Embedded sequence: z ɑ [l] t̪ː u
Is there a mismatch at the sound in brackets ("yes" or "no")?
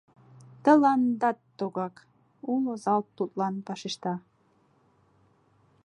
no